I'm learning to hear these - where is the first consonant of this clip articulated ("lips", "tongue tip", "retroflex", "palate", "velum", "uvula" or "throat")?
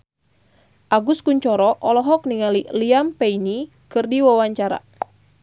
throat